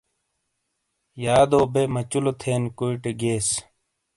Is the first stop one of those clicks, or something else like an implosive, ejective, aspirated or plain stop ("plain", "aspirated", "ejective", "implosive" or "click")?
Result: plain